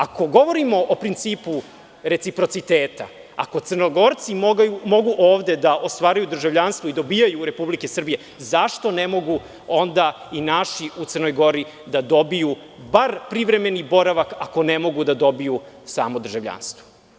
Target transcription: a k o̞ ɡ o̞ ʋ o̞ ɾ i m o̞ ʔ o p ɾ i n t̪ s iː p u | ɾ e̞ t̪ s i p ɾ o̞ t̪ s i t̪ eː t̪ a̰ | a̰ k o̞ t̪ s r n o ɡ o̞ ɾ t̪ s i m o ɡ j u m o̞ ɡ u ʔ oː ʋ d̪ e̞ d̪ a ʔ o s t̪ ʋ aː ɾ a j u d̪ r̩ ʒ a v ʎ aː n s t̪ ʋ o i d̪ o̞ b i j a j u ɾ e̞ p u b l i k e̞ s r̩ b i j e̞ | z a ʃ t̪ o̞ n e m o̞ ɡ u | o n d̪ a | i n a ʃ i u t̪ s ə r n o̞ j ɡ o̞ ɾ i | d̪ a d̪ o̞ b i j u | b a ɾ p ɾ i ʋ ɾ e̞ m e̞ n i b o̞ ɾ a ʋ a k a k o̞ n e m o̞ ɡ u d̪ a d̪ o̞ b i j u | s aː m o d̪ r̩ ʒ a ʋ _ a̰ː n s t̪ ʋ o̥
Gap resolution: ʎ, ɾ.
ʎ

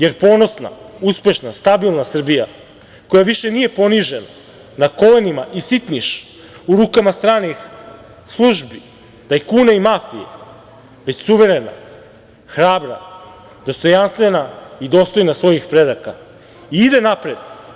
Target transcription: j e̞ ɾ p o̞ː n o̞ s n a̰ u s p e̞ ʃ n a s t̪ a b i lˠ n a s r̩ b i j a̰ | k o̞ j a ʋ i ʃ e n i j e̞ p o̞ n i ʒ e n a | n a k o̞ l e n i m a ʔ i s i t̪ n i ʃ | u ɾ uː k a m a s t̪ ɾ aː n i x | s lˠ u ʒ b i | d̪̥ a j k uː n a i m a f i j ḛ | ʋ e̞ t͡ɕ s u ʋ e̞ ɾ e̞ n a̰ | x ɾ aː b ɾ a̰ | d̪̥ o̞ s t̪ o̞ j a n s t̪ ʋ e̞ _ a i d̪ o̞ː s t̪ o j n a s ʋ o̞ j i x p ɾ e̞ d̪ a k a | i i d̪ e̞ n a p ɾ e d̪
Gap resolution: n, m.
n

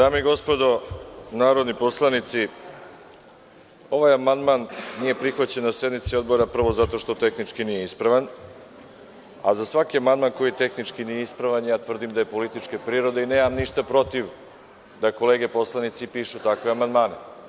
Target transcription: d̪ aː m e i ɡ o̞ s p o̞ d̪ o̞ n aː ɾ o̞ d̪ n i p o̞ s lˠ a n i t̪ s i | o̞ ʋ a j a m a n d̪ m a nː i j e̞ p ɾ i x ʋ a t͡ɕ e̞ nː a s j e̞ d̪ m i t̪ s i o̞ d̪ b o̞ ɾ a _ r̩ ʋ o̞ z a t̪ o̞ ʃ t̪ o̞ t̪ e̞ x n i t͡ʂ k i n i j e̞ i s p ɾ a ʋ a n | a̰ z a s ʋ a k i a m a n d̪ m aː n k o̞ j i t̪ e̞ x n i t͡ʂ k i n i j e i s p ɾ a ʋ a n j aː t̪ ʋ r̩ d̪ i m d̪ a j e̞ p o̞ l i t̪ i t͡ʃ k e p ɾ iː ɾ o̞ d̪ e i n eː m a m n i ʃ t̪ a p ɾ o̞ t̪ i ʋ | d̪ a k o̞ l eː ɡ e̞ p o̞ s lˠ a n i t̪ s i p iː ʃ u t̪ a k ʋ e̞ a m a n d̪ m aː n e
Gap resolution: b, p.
p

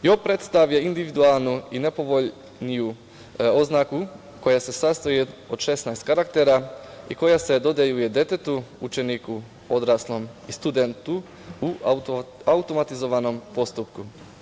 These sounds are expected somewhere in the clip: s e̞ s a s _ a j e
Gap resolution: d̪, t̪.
t̪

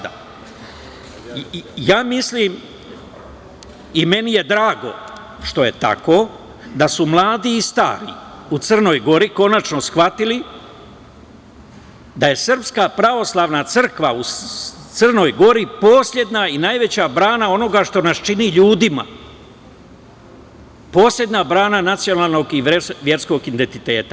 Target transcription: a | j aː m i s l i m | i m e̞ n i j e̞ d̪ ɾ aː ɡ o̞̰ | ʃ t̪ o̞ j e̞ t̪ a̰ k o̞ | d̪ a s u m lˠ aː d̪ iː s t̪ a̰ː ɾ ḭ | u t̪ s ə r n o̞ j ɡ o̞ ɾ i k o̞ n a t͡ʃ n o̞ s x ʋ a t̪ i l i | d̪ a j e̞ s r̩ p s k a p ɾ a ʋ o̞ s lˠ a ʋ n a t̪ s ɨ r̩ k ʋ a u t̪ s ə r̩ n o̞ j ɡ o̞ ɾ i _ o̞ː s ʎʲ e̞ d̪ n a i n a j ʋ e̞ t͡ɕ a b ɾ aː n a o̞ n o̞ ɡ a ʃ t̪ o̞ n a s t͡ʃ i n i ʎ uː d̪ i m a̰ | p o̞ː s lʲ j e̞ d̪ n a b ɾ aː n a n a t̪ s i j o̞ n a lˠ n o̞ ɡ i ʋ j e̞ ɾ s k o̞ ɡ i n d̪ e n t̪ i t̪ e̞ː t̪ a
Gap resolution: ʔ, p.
p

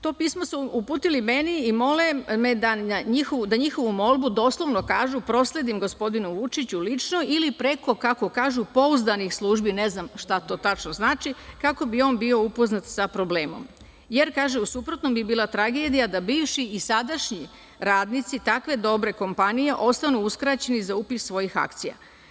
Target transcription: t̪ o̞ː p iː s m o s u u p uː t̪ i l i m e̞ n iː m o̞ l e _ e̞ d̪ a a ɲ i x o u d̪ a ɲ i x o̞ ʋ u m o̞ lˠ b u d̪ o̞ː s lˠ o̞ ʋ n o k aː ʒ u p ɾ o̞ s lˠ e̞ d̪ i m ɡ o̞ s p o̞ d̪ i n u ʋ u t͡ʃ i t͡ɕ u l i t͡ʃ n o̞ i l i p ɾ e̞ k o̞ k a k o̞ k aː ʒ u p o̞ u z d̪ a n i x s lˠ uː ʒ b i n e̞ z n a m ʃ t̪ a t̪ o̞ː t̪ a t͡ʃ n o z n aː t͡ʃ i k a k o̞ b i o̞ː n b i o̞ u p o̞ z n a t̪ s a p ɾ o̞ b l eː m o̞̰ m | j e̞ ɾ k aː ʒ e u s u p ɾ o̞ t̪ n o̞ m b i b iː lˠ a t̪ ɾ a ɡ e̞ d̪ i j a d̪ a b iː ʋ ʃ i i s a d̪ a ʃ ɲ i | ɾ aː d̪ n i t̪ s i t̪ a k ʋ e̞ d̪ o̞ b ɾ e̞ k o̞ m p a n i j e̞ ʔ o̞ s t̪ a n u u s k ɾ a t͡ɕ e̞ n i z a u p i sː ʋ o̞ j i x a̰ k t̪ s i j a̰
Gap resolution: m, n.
m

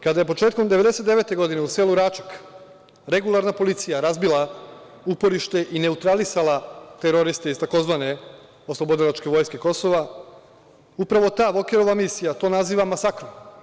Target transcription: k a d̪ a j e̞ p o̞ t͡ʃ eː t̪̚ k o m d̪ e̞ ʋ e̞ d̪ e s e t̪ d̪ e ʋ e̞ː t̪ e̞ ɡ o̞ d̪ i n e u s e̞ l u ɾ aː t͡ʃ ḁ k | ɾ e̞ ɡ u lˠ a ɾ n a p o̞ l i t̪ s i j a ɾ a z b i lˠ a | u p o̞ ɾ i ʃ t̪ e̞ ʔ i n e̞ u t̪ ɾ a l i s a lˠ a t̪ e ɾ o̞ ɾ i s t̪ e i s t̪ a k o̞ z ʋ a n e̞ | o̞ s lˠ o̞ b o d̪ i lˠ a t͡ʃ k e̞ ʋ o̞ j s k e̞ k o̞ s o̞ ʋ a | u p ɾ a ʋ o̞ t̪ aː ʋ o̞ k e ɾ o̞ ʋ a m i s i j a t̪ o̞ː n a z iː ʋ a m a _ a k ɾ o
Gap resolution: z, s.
s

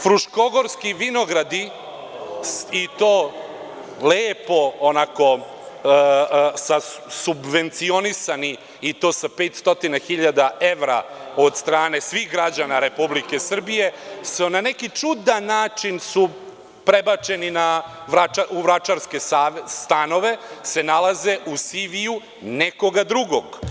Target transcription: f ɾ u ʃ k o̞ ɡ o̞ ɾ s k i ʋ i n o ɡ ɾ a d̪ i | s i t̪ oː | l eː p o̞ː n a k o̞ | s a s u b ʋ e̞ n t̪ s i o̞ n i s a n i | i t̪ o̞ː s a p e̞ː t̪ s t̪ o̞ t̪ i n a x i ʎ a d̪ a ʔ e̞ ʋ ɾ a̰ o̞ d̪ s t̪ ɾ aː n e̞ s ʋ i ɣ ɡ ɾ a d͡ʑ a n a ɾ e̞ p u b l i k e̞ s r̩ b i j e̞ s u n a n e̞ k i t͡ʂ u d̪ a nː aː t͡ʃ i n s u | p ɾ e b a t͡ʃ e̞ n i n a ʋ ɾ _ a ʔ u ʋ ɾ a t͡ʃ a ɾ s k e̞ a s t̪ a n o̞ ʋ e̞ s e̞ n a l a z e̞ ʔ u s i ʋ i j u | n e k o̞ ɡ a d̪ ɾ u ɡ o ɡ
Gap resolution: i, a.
a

